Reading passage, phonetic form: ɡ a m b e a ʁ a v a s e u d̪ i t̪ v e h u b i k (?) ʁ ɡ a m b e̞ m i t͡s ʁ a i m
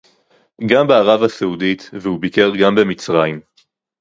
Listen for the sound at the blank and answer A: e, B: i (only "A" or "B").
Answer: A